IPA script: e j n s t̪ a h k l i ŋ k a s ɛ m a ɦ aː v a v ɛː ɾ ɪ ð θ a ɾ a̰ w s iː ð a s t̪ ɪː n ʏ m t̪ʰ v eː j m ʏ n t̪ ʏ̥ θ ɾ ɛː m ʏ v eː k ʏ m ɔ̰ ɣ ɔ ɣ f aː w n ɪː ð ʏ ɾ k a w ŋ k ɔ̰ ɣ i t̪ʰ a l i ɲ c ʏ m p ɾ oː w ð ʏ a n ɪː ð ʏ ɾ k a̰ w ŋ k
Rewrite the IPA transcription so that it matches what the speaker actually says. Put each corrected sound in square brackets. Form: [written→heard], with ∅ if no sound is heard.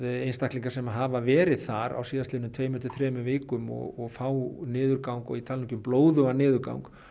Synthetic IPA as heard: e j n s t̪ a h k l i ŋ k a s ɛ m a ɦ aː v a v ɛː ɾ ɪ ð θ a ɾ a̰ w s iː ð a s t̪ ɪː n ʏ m t̪ʰ v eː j m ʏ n t̪ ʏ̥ θ ɾ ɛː m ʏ v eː k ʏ m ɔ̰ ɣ ɔ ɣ f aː w n ɪː ð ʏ ɾ k a w ŋ k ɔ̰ ɣ i t̪ʰ a l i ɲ c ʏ m p [ɾ→l] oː w ð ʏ a n ɪː ð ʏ ɾ k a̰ w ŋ k